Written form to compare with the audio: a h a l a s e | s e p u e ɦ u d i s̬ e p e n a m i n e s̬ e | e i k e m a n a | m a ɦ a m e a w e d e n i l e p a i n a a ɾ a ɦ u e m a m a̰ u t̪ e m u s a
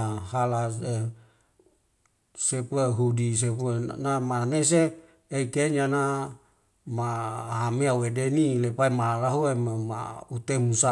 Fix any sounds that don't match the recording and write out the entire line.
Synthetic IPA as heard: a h a l a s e | s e p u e ɦ u d i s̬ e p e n a m a n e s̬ e | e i k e ɲ a n a | m a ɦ a m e a w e d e n i l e p a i m a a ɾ a ɦ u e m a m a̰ u t̪ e m u s a